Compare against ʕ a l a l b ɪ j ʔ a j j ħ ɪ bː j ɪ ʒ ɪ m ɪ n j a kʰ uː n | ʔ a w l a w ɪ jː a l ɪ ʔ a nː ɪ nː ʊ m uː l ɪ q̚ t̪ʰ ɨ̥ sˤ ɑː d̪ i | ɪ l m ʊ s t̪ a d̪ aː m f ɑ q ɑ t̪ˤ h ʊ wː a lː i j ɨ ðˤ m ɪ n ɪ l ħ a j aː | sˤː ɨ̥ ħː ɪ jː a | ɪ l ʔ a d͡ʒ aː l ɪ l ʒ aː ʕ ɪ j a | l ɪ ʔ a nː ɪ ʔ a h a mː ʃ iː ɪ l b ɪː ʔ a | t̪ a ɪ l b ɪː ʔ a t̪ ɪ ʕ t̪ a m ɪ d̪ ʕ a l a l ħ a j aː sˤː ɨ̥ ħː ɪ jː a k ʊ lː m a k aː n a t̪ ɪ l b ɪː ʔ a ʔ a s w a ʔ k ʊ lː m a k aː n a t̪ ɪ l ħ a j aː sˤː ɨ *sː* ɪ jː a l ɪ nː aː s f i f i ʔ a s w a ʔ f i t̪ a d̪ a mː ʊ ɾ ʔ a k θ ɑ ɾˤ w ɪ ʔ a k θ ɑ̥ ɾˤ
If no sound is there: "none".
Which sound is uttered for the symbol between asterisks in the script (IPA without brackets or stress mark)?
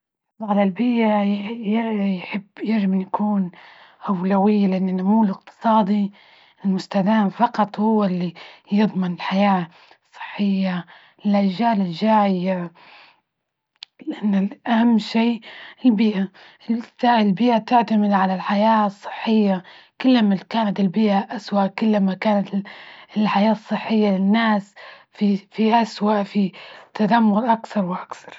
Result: ħː